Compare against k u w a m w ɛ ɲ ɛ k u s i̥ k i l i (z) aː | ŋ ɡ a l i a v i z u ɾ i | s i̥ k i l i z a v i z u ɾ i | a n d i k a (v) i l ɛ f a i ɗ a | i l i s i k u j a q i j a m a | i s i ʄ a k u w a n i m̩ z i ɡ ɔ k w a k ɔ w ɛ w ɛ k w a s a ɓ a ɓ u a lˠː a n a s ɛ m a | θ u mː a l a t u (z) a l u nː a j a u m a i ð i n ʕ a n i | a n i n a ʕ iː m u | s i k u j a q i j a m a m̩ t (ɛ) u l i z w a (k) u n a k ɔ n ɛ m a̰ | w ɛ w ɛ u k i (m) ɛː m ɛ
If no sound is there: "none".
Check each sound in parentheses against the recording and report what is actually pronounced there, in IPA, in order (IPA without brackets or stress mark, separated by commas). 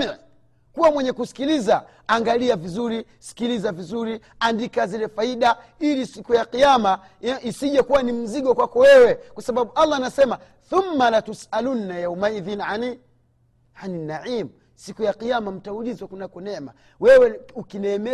z, z, s, a, k, n